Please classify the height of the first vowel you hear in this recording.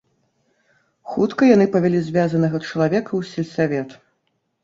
high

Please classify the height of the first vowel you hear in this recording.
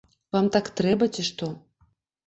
low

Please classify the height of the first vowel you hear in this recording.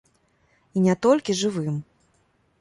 high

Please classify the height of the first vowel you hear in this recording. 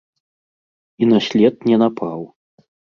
high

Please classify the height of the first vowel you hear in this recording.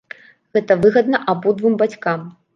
mid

